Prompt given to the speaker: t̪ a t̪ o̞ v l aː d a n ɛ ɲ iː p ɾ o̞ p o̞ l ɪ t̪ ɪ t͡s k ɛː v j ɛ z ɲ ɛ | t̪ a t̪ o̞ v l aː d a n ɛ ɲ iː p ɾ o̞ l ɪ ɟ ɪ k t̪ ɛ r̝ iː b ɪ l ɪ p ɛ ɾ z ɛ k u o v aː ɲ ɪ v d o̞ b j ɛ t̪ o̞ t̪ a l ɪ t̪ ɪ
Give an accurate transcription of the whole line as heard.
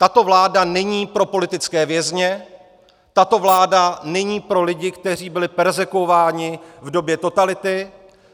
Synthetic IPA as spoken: t̪ a t̪ o̞ v l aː d a n ɛ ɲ iː p ɾ o̞ p o̞ l ɪ t̪ ɪ t͡s k ɛː v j ɛ z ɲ ɛ | t̪ a t̪ o̞ v l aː d a n ɛ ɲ iː p ɾ o̞ l ɪ ɟ ɪ k t̪ ɛ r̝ iː b ɪ l ɪ p ɛ ɾ z ɛ k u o v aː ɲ ɪ v d o̞ b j ɛ t̪ o̞ t̪ a l ɪ t̪ ɪ